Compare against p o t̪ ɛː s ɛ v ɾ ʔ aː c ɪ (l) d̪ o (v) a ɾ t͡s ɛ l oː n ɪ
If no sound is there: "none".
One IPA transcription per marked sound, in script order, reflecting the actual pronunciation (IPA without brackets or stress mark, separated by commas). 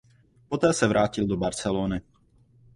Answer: l, b